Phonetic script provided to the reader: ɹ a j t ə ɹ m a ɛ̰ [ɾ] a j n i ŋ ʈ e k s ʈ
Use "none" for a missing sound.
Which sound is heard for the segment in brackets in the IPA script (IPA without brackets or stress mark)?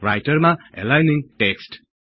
l